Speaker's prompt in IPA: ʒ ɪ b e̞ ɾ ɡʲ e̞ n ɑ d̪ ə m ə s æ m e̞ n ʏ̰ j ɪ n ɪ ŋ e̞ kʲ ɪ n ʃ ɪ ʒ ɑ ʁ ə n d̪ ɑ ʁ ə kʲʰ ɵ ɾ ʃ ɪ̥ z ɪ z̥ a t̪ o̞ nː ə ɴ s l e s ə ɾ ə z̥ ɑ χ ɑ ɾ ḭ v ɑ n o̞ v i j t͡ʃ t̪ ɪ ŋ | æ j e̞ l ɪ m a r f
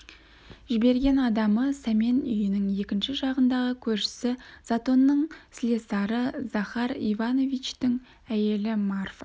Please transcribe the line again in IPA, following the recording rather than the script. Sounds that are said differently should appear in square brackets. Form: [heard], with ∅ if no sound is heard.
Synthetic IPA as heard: ʒ ɪ b e̞ ɾ ɡʲ e̞ n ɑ d̪ [ɑ] m ə s æ m e̞ n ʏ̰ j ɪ n ɪ ŋ e̞ kʲ ɪ n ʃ ɪ ʒ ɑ ʁ ə n d̪ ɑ ʁ ə kʲʰ ɵ ɾ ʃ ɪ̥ [s] ɪ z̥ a t̪ o̞ nː ə ɴ s l e s [ɑ] ɾ ə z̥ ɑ χ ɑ ɾ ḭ v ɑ n o̞ v i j t͡ʃ t̪ ɪ ŋ | æ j e̞ l ɪ m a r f